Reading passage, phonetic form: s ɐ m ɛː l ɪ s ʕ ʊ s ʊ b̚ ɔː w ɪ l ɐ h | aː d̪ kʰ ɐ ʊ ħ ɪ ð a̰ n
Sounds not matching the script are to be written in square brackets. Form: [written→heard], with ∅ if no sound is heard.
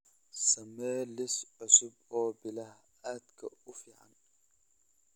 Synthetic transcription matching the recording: s ɐ m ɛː l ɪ s ʕ ʊ s ʊ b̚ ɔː [w→b] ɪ l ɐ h | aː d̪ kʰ ɐ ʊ [ħ→f] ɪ [ð→ʕ] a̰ n

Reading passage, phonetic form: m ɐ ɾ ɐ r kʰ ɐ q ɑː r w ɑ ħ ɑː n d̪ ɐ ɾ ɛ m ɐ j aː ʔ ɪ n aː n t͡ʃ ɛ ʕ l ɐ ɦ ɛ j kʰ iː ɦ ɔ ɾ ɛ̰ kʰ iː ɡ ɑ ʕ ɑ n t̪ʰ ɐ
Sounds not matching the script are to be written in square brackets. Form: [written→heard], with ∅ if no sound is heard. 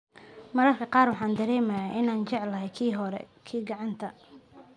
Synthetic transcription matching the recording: m ɐ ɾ ɐ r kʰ ɐ q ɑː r w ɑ ħ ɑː n d̪ ɐ ɾ [ɛ→ɛː] m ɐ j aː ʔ ɪ n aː n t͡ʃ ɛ ʕ l ɐ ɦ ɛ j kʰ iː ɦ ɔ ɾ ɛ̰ kʰ iː ɡ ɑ ʕ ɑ n t̪ʰ ɐ

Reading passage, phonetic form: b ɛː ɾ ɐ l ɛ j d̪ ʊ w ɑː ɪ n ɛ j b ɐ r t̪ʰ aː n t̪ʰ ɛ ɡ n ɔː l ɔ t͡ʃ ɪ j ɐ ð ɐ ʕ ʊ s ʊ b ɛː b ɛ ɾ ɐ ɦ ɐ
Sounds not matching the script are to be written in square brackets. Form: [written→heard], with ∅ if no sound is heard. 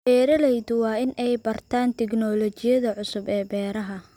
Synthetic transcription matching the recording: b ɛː ɾ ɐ l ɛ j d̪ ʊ w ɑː ɪ n ɛ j b ɐ r t̪ʰ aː n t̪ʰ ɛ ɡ n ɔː l ɔ t͡ʃ ɪ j ɐ ð ɐ ʕ ʊ s ʊ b ɛː b [ɛ→ɛː] ɾ ɐ ɦ ɐ

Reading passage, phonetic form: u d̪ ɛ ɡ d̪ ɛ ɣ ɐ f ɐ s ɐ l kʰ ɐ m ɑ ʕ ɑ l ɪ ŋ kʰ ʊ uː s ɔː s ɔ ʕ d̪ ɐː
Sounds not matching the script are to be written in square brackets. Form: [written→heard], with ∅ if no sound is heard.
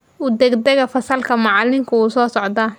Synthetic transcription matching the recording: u d̪ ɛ ɡ d̪ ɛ ɣ ɐ f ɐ s ɐ l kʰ ɐ m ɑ ʕ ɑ l ɪ ŋ kʰ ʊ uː s ɔː s ɔ ʕ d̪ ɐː

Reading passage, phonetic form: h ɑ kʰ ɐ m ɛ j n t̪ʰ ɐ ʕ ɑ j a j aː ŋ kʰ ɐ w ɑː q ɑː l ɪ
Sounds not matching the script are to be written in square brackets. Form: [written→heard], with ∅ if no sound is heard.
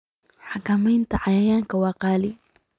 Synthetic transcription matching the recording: [h→ħ] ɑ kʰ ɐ m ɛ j n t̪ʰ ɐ ʕ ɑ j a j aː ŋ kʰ ɐ w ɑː q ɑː l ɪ

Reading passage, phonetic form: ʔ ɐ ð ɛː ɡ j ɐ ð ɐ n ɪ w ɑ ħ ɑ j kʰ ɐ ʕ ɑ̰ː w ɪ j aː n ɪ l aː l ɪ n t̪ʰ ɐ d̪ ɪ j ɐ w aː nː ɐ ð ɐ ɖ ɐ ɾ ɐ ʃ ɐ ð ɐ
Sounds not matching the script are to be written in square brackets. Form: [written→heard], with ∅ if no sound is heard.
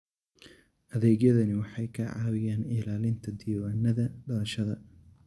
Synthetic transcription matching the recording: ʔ ɐ ð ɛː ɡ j ɐ ð ɐ n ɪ w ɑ ħ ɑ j kʰ ɐ ʕ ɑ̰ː w ɪ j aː n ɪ l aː l ɪ n t̪ʰ ɐ d̪ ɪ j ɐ w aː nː ɐ ð ɐ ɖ ɐ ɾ ɐ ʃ ɐ ð ɐ

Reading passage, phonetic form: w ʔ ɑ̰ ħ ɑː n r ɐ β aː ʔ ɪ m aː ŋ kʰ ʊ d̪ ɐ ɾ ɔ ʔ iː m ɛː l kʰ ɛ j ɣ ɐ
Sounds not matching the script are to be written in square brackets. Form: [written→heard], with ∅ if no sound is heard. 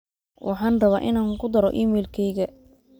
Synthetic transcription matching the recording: w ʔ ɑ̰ ħ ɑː n r ɐ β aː ʔ ɪ [m→n] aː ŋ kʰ ʊ d̪ ɐ ɾ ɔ ʔ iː m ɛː l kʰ ɛ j ɣ ɐ

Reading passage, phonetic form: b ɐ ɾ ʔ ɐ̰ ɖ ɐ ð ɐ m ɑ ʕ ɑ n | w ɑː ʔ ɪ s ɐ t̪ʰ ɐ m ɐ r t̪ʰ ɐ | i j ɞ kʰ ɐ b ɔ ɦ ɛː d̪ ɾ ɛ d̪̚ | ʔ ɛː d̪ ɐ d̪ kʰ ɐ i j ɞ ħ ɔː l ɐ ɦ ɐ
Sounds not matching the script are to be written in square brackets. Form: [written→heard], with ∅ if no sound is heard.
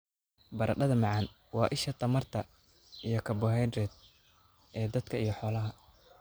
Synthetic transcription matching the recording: b ɐ ɾ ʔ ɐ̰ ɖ ɐ ð ɐ m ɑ ʕ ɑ n | w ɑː ʔ ɪ [s→ʃ] ɐ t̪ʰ ɐ m ɐ r t̪ʰ ɐ | i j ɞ kʰ ɐ b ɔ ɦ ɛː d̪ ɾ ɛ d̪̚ | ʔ ɛː d̪ ɐ d̪ kʰ ɐ i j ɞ ħ ɔː l ɐ ɦ ɐ

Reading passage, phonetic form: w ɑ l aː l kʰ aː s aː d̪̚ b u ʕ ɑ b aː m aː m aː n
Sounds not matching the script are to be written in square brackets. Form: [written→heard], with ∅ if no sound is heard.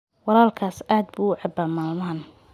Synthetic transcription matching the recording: w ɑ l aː l kʰ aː s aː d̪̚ b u ʕ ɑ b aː m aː m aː n

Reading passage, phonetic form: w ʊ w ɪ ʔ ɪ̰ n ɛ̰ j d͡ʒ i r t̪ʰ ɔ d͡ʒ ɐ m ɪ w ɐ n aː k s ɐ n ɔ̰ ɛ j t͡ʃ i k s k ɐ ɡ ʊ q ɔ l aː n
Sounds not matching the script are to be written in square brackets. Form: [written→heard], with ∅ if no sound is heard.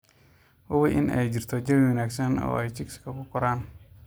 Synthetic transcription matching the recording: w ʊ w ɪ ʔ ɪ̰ n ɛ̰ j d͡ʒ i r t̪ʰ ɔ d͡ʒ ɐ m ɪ w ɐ n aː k s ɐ n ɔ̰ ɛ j t͡ʃ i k s k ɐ [ɡ→k] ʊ [q→k] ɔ [l→ɾ] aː n

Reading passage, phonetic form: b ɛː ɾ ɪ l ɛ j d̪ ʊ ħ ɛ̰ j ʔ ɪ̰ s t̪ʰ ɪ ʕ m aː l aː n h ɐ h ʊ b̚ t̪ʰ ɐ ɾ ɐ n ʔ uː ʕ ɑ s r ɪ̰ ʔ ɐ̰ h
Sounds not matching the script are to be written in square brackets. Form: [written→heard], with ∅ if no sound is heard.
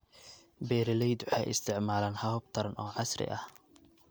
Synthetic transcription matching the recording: b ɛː ɾ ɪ l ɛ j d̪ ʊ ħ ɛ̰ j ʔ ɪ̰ s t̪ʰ ɪ ʕ m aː l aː n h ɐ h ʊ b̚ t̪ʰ ɐ ɾ ɐ n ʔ [uː→ɔː] ʕ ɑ s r ɪ̰ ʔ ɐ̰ h

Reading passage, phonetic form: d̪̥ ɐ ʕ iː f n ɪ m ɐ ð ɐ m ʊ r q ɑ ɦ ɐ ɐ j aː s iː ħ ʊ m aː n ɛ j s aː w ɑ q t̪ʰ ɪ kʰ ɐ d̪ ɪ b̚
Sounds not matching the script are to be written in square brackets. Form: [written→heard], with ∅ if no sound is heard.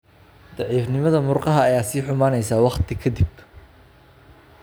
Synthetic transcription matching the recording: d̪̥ [ɐ→ɑ] ʕ iː f n ɪ m ɐ ð ɐ m ʊ r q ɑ ɦ ɐ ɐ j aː s iː ħ ʊ m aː n ɛ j s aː w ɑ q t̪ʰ ɪ kʰ ɐ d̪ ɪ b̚

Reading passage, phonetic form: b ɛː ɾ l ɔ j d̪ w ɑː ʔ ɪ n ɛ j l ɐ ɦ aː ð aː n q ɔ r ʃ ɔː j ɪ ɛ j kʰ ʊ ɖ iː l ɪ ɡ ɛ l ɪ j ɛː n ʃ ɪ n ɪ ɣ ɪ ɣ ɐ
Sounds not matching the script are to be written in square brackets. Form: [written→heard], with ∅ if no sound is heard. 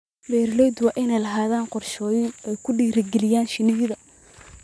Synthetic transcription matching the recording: b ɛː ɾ l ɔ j d̪ w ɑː ʔ ɪ n ɛ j l ɐ ɦ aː ð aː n q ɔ r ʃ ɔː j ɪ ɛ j kʰ ʊ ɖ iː [l→ɾ] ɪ ɡ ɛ l ɪ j [ɛː→aː] n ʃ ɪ n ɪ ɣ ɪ [ɣ→ð] ɐ

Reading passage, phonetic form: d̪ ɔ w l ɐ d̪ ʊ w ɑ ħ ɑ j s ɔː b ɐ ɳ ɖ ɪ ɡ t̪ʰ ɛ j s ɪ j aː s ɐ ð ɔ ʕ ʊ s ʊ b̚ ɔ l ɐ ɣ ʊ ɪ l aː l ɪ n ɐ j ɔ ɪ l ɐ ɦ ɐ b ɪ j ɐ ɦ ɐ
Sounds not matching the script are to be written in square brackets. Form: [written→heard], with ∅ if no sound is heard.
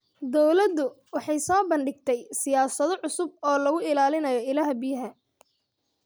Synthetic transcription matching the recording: d̪ ɔ w l ɐ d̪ ʊ w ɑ ħ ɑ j s ɔː b ɐ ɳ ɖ ɪ ɡ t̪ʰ ɛ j s ɪ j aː s ɐ ð ɔ ʕ ʊ s ʊ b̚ [ɔ→ɔː] l ɐ ɣ ʊ ɪ l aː l ɪ n ɐ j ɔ ɪ l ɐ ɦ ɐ b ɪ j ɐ ɦ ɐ

